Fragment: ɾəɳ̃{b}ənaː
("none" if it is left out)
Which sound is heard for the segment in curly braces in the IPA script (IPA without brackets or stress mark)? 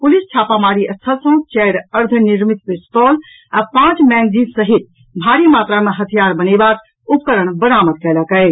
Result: b